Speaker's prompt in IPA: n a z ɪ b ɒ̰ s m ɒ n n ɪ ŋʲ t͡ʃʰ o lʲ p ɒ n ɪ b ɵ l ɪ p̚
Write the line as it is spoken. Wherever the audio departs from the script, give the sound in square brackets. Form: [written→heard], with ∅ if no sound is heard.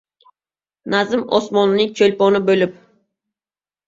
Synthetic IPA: n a z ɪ [b→m] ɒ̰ s m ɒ n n ɪ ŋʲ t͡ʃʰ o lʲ p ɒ n ɪ b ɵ l ɪ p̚